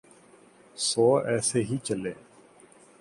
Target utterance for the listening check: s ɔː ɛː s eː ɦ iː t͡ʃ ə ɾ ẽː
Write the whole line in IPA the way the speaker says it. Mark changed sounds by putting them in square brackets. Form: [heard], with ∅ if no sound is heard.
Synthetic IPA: s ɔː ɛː s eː ɦ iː t͡ʃ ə [l] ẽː